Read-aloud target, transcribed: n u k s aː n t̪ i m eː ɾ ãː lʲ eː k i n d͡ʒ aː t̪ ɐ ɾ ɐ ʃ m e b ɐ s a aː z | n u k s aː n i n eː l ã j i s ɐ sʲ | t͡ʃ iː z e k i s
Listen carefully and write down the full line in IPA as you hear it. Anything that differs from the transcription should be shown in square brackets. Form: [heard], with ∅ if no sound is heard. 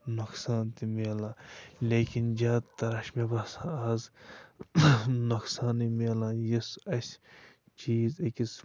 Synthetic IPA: n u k s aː n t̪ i m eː [l] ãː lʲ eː k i n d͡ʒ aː t̪ ɐ ɾ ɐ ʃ m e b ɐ s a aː z | n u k s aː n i [m] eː l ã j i s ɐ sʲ | t͡ʃ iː z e k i s